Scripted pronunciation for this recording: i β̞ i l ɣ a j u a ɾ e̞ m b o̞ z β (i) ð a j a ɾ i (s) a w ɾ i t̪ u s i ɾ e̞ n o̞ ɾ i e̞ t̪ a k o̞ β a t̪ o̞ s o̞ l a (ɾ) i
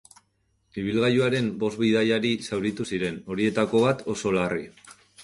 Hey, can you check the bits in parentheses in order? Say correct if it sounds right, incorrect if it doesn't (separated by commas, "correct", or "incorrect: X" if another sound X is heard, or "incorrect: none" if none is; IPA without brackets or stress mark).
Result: correct, correct, incorrect: r